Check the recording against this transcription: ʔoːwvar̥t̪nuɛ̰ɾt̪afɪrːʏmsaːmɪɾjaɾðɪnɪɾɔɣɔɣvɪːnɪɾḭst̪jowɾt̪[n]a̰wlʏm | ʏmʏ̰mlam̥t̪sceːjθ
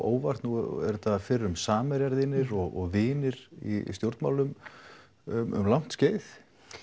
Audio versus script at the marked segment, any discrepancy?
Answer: yes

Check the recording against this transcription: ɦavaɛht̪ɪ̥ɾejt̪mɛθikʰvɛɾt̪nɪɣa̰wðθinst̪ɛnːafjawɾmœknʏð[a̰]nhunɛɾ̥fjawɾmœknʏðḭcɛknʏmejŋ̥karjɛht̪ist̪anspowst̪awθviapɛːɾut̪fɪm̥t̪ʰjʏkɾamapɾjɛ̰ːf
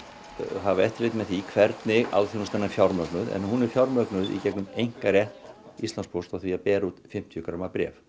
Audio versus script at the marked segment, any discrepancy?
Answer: yes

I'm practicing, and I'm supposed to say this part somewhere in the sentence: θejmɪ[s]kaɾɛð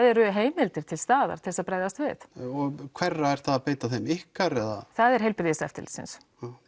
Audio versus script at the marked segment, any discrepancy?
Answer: yes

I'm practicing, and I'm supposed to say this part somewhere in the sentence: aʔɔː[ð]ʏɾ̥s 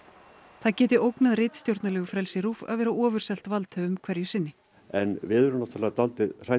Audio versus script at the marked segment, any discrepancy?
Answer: yes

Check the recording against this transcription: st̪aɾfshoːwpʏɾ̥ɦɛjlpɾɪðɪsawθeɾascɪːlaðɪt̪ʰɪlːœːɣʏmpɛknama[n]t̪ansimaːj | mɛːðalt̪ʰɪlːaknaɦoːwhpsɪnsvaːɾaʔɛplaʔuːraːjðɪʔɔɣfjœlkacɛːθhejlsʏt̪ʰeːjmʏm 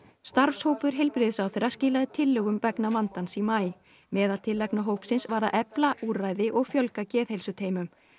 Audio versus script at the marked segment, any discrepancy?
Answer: no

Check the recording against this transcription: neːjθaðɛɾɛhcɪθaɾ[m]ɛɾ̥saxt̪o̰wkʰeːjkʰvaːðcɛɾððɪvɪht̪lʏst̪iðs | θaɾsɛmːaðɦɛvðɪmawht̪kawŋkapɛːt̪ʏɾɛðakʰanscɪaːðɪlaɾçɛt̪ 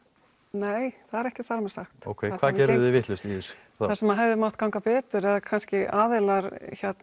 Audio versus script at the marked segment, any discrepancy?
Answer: no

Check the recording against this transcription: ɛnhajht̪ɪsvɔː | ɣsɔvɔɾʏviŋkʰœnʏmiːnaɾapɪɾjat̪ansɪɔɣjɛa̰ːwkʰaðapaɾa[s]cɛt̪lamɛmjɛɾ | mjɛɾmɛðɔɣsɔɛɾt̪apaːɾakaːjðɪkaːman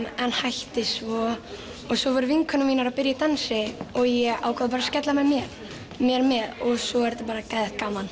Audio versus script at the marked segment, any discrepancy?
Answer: no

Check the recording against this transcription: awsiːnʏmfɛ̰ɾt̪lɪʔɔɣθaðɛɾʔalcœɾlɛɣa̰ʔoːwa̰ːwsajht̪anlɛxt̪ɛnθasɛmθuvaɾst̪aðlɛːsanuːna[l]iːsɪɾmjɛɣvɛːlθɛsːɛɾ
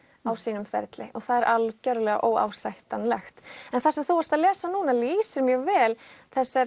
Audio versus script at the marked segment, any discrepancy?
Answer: no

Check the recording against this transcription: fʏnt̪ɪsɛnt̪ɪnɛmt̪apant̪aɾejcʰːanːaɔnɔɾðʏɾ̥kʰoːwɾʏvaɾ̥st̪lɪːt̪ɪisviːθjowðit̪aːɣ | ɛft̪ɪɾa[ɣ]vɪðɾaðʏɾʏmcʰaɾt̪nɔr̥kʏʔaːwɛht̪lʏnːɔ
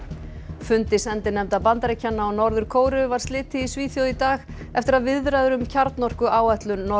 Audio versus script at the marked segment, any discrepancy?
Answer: yes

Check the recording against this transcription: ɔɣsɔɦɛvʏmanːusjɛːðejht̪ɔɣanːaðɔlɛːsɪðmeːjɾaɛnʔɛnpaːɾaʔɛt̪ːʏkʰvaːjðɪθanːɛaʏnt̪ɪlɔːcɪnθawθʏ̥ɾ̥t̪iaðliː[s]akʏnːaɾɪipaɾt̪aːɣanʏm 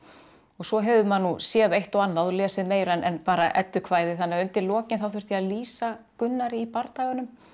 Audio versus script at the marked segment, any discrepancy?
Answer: no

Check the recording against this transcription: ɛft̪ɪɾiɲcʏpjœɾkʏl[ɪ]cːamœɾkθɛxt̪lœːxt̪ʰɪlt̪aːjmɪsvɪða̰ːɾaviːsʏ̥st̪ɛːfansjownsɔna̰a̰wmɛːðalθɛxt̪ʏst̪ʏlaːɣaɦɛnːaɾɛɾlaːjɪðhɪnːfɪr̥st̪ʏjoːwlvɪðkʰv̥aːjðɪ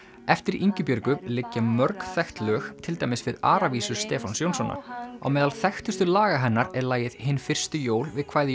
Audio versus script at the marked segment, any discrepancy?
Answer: no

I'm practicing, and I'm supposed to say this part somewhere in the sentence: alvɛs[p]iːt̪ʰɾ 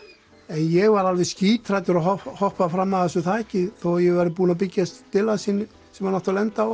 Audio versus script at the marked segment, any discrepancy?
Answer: yes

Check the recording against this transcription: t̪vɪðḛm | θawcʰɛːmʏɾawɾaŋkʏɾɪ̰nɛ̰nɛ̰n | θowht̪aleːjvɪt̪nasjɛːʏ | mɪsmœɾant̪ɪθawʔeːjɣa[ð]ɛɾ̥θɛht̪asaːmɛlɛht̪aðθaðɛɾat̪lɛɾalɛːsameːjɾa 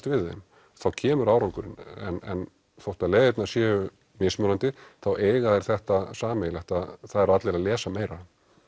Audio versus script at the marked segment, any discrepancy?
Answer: no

